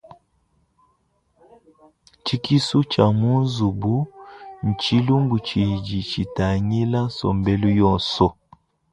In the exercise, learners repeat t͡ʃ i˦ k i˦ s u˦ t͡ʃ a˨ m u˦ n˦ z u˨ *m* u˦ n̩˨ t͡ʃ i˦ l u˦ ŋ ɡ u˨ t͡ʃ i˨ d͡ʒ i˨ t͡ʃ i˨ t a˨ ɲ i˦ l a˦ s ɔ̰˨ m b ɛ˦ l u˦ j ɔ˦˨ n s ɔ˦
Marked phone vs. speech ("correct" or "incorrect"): incorrect